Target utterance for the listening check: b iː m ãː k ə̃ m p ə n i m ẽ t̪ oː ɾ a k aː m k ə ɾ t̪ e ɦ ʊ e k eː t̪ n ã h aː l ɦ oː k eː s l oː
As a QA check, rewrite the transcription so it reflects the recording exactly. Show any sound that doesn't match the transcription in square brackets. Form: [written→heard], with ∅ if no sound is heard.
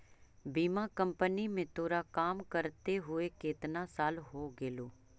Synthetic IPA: b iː m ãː k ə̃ m p ə n i m ẽ t̪ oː ɾ a k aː m k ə ɾ t̪ e ɦ ʊ e k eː t̪ n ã [h→s] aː l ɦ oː [k→ɡ] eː [s→∅] l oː